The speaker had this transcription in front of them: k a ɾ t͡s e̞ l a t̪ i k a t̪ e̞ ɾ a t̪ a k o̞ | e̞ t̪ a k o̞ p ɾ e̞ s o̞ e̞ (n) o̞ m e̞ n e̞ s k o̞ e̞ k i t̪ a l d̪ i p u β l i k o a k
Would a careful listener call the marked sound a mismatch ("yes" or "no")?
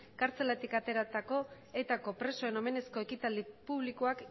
no